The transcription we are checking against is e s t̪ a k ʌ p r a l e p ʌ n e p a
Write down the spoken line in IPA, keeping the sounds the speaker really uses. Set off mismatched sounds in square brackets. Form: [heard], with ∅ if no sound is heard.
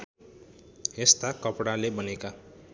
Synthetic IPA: e s t̪ a k ʌ p [ɽ] a l e [b] ʌ n e [k] a

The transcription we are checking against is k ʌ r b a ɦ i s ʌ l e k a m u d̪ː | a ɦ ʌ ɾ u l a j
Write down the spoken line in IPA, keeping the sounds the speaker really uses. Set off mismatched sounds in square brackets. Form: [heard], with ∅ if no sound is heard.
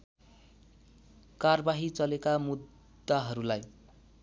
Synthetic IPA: k [a] r b a ɦ i [t͡s] ʌ l e k a m u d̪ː | a ɦ ʌ ɾ u l a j

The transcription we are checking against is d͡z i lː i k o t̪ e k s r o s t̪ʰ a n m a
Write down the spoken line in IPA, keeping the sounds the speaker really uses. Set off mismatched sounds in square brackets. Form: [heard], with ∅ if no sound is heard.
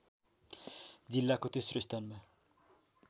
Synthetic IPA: d͡z i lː [a] k o t̪ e [∅] s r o s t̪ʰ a n m a

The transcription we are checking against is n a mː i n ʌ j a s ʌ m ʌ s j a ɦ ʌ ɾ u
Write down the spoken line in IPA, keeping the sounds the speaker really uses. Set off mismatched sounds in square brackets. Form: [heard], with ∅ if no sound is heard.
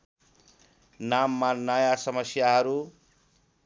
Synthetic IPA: n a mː [a] n ʌ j a s ʌ m ʌ s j a ɦ ʌ ɾ u

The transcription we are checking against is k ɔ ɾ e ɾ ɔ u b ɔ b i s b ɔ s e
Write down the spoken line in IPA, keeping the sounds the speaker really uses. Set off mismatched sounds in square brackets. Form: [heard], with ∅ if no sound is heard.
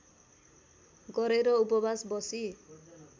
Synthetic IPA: [ɡ] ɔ ɾ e ɾ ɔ u [p] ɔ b [a] s b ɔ s [i]

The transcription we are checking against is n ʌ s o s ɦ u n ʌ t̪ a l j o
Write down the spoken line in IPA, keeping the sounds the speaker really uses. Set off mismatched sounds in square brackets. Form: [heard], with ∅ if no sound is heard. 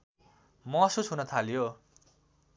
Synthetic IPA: [m] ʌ s [u] s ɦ u n ʌ [t̪ʰ] a l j o

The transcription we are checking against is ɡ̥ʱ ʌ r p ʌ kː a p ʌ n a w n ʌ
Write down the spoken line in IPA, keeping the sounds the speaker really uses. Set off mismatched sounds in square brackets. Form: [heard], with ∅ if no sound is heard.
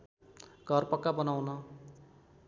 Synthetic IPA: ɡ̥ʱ ʌ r p ʌ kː a [b] ʌ n a w n ʌ

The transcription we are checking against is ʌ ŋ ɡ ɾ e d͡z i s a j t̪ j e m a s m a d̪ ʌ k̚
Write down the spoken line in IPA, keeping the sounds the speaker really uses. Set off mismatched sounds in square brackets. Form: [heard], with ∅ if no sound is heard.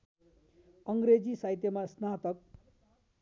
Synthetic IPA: ʌ ŋ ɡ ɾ e d͡z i s a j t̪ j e m a s [n] a [t̪] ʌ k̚

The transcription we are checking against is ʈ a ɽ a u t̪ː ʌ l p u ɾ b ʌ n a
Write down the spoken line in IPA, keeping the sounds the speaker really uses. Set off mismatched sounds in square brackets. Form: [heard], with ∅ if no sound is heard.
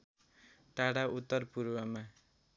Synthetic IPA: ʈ a ɽ a u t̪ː ʌ [r] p u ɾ [w] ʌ [m] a

